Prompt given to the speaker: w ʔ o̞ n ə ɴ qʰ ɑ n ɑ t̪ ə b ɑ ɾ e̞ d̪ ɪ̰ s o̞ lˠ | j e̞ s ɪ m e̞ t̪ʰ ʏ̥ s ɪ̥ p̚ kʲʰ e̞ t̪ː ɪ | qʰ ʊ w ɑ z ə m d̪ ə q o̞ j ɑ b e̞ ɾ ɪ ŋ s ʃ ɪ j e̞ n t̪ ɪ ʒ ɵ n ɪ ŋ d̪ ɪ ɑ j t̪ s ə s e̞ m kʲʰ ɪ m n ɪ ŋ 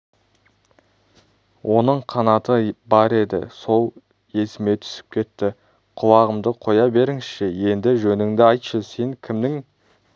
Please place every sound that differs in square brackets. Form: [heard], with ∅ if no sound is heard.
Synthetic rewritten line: w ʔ o̞ n ə ɴ qʰ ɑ n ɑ t̪ ə b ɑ ɾ e̞ d̪ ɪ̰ s o̞ lˠ | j e̞ s ɪ m e̞ t̪ʰ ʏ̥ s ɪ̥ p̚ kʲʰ e̞ t̪ː ɪ | qʰ ʊ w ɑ [ʁ] ə m d̪ ə [qʰ] o̞ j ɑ b e̞ ɾ ɪ ŋ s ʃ ɪ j e̞ n [d̪] ɪ ʒ ɵ n ɪ ŋ d̪ ɪ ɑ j t̪ [ʃ] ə s e̞ [ŋ] kʲʰ ɪ m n ɪ ŋ